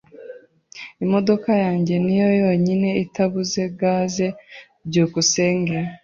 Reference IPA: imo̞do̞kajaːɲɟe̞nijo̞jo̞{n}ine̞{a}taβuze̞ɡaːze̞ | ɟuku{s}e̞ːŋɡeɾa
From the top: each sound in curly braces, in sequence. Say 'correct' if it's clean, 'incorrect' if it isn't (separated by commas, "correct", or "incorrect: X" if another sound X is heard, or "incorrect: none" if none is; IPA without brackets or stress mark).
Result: incorrect: ɲ, incorrect: i, correct